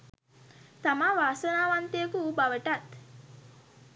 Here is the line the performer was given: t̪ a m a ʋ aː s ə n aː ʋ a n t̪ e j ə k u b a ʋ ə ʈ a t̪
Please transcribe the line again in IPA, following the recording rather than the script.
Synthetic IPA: t̪ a m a ʋ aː s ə n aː ʋ a n t̪ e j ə k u b a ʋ ə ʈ a t̪